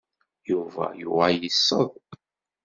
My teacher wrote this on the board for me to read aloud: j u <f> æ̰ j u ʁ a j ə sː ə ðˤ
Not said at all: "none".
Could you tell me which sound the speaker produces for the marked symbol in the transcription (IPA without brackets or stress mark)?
v